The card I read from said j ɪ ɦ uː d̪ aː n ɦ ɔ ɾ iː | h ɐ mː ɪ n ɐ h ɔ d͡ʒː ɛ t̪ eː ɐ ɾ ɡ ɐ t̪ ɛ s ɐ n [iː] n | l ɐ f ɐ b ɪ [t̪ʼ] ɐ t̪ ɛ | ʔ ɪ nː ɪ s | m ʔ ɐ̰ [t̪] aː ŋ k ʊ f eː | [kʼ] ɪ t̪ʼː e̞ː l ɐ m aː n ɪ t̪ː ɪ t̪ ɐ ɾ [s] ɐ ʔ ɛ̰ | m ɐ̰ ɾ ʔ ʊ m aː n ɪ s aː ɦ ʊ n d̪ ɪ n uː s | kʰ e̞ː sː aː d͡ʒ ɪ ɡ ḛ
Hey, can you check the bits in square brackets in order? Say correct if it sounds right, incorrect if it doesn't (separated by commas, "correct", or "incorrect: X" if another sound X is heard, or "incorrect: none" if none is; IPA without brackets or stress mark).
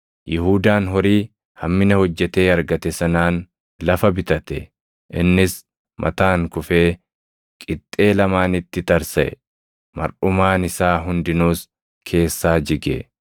incorrect: aː, incorrect: t̪, correct, correct, correct